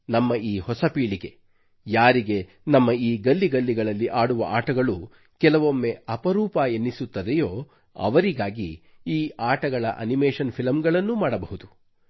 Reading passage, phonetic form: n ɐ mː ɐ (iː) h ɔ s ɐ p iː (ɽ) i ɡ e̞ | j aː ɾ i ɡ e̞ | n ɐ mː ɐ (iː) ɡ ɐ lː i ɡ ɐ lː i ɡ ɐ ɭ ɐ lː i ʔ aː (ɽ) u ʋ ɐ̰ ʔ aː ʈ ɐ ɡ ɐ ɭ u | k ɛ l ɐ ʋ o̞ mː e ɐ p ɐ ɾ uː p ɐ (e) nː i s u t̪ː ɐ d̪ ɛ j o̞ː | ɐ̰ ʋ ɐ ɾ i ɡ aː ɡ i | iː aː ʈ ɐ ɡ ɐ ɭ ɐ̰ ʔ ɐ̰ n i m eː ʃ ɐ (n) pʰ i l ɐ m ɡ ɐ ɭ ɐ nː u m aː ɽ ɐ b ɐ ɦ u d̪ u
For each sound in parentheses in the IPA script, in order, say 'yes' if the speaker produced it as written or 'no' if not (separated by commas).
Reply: yes, no, yes, yes, yes, yes